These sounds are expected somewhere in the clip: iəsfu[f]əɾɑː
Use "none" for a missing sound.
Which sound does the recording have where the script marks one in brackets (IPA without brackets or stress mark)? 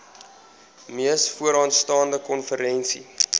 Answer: none